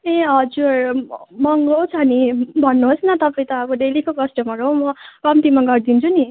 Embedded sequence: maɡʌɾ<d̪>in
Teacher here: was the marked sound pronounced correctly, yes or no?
yes